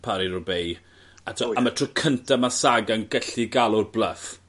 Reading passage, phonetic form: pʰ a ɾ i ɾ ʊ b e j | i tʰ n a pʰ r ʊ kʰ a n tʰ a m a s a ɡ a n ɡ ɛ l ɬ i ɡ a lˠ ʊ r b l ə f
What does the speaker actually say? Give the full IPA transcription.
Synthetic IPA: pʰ a ɾ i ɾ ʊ b e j | a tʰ m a tʰ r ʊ kʰ ə n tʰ a m a s a ɡ a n ɡ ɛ ɬ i ɡ a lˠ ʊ r b l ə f